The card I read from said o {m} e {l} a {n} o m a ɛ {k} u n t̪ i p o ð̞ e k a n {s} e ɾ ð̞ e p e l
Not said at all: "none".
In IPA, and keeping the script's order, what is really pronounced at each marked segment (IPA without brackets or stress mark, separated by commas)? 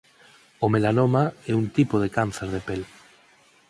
m, l, n, none, θ